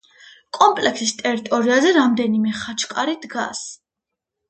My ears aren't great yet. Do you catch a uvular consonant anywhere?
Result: yes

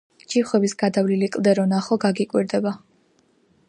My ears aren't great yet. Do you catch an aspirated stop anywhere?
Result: no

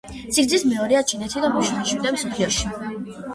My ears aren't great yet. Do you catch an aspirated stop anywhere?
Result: yes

